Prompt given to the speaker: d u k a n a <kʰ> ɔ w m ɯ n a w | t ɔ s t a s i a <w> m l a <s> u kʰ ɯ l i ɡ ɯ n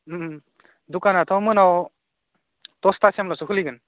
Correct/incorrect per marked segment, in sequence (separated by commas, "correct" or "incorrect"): incorrect, incorrect, correct